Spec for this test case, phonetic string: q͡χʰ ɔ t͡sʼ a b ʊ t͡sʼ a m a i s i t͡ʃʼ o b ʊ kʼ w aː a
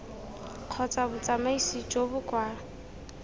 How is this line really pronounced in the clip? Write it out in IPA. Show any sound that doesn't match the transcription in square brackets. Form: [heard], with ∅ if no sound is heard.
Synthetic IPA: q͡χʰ ɔ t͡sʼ a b ʊ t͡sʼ a m a i s i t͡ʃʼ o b ʊ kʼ w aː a

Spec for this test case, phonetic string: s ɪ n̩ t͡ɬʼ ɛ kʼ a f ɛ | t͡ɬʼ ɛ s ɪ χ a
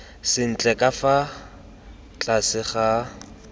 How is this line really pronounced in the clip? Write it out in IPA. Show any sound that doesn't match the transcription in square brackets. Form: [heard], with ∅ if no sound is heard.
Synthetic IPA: s ɪ n̩ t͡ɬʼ ɛ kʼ a f [a] | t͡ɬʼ [a] s ɪ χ a

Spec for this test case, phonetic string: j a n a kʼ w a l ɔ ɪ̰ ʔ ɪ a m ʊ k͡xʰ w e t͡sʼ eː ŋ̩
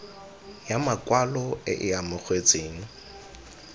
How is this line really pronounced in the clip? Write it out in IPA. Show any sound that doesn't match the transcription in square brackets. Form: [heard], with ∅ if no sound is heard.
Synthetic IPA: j a [m] a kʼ w a l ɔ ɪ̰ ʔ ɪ a m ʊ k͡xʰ w e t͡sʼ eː ŋ̩

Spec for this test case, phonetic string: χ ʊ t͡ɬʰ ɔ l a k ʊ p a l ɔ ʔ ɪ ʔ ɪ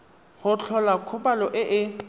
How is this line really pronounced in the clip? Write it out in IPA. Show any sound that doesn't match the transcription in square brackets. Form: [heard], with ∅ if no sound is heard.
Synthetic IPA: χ ʊ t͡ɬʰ ɔ l a [kʰ] ʊ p a l ɔ ʔ ɪ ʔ ɪ

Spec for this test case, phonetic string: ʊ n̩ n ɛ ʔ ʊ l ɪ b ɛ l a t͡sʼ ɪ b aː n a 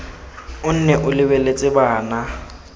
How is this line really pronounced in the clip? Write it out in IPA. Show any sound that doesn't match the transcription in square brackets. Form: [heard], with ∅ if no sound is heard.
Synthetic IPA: ʊ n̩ n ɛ ʔ ʊ l ɪ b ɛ l [e] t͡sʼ ɪ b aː n a

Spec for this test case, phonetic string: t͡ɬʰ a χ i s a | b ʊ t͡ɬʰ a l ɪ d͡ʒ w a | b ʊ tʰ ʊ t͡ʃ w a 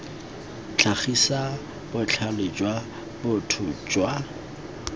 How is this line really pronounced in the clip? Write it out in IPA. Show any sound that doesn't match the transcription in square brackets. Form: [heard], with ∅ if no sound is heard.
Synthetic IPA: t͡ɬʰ a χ i s a | b ʊ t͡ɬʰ a l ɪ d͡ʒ w a | b ʊ tʰ ʊ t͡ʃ w a

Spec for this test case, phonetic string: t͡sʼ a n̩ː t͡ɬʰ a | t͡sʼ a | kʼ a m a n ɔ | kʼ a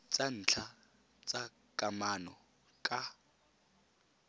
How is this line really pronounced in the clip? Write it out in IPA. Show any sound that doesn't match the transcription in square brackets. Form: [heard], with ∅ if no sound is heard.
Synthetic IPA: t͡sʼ a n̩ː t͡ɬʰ a | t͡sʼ a | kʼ a m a n ɔ | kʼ a

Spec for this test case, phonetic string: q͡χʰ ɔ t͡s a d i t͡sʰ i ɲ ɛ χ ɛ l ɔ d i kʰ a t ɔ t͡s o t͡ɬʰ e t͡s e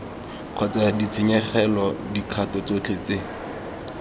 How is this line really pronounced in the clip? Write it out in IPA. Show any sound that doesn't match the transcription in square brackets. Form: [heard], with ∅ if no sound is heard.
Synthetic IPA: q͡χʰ ɔ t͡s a d i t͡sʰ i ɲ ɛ χ ɛ l ɔ d i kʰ a t ɔ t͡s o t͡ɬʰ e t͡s e

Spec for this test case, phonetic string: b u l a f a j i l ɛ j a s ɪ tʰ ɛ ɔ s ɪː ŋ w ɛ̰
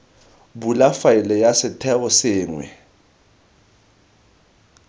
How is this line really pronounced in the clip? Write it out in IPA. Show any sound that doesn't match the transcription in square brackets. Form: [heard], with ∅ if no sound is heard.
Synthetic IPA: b u l a f a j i l ɛ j a s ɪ tʰ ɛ ɔ s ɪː ŋ w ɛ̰

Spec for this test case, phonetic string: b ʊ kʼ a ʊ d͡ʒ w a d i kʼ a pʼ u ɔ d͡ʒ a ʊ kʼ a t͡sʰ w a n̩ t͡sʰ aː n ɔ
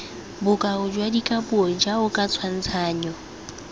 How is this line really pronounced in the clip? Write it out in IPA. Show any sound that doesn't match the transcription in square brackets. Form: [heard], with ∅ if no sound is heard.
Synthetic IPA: b ʊ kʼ a ʊ d͡ʒ w a d i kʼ a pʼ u ɔ d͡ʒ a ʊ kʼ a t͡sʰ w a n̩ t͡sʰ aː [ɲ] ɔ

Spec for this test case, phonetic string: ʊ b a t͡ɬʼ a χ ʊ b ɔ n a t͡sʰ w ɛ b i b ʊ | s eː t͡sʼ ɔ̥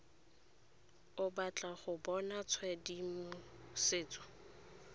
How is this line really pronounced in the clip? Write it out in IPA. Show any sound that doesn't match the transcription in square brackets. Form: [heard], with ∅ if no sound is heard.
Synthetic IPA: ʊ b a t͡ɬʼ a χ ʊ b ɔ n a t͡sʰ w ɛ [d] i [m] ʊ | s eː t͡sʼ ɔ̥

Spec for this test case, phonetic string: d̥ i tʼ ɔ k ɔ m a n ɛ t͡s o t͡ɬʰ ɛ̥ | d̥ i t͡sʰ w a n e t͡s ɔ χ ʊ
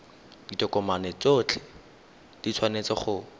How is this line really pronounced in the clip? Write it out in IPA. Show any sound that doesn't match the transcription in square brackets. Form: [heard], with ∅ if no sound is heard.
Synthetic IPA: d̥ i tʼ ɔ k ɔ m a n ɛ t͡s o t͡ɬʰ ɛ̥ | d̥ i t͡sʰ w a n e t͡s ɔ χ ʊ

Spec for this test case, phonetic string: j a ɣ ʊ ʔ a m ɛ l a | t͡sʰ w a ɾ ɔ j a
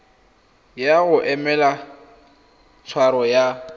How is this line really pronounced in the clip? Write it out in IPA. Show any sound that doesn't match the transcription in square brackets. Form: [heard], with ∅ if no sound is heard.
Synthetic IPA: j a ɣ ʊ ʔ [ɛ] m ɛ l a | t͡sʰ w a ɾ ɔ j a

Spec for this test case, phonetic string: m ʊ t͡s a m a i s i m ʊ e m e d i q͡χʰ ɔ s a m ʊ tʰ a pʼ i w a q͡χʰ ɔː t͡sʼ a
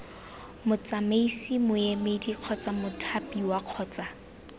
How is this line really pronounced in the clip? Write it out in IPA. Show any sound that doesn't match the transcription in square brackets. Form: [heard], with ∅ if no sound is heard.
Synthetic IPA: m ʊ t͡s a m [e] i s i m ʊ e m e d i q͡χʰ ɔ [t͡s] a m ʊ tʰ a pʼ i w a q͡χʰ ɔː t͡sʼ a

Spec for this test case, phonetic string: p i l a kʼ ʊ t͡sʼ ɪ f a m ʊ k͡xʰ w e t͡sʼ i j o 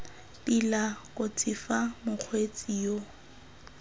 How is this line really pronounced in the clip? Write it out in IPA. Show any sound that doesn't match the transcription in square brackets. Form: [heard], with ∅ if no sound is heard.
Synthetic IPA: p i l a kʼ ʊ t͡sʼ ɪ f a m ʊ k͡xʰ w e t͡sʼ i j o

